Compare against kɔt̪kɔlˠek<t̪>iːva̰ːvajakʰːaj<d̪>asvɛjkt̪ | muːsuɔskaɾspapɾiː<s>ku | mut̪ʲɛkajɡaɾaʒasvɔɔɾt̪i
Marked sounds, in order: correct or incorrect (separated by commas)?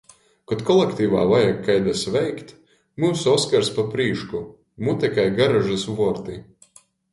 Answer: correct, correct, incorrect